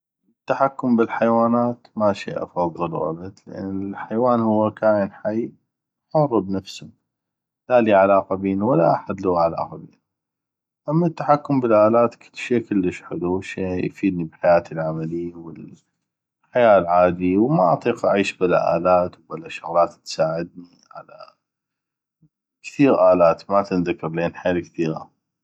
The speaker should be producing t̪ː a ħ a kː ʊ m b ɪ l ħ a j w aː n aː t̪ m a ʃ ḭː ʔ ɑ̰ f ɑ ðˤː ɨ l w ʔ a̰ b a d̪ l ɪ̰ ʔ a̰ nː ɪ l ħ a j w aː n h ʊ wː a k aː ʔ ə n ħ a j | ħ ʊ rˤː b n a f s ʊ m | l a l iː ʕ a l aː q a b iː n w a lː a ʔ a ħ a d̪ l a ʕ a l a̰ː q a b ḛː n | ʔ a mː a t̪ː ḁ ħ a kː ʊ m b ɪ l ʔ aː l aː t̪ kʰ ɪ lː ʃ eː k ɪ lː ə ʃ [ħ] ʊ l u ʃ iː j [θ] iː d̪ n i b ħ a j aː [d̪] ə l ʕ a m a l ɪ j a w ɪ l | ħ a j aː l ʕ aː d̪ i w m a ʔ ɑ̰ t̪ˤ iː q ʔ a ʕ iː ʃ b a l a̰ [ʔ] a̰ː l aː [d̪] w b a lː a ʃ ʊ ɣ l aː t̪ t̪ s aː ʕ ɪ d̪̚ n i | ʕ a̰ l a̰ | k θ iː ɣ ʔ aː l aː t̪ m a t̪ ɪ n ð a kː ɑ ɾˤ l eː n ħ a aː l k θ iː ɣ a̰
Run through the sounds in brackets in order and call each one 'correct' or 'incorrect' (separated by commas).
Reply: correct, incorrect, incorrect, correct, incorrect